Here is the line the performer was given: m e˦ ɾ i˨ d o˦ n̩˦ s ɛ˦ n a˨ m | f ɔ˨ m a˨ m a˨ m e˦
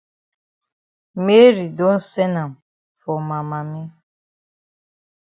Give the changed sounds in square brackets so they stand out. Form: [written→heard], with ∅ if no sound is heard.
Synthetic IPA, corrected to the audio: m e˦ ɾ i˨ d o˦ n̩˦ s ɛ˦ n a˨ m | f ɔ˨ m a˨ m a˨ m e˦